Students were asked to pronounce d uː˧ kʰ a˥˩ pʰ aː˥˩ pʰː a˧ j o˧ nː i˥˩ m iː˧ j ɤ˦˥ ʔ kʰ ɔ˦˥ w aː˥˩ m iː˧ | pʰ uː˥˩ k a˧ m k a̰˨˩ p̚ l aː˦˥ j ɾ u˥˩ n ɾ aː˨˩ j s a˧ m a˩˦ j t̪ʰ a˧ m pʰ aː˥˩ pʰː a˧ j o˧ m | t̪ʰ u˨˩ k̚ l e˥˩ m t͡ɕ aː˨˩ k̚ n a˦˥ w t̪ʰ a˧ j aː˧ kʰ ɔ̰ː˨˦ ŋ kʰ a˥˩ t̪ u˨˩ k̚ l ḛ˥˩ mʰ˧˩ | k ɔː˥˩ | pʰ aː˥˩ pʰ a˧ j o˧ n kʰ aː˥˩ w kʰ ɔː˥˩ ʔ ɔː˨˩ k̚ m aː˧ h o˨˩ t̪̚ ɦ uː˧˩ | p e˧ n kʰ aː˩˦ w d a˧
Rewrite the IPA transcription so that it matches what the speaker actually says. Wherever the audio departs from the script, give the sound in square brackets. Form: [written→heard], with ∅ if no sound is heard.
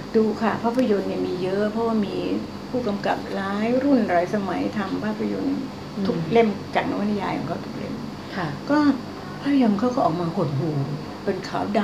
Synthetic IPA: d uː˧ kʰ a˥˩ pʰ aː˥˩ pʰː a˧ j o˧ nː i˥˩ m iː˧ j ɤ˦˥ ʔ [kʰ→pʰ] ɔ˦˥ w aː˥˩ m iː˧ | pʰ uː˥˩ k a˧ m k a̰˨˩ p̚ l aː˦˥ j ɾ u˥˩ n ɾ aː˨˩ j s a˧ m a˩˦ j t̪ʰ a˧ m pʰ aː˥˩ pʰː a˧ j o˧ [m→n] | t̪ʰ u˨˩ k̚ l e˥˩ m t͡ɕ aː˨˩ k̚ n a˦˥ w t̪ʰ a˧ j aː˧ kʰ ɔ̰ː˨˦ ŋ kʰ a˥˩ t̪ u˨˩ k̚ l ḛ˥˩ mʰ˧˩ | k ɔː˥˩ | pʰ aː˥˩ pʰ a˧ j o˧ n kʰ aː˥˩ w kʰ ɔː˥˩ ʔ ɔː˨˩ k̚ m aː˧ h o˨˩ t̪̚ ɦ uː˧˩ | p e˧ n kʰ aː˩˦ w d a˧